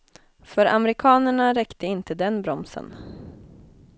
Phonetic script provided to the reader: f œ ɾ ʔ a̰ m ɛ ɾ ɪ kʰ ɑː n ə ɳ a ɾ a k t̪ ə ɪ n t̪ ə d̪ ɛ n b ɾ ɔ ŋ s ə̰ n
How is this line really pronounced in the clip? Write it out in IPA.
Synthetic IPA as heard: f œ ɾ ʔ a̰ m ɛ ɾ ɪ kʰ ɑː n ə ɳ a ɾ ɛ k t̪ ə ɪ n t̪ ə d̪ ɛ n b ɾ ɔ m s ə̰ n